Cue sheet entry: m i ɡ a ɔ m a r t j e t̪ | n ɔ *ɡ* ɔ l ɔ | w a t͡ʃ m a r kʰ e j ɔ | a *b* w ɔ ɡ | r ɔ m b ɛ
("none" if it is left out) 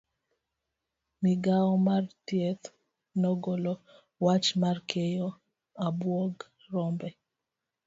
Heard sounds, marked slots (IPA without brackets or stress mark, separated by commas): ɡ, b